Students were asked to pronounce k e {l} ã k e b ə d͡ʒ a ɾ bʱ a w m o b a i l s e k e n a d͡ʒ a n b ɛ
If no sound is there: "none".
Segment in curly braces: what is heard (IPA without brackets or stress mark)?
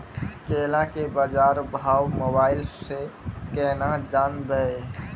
l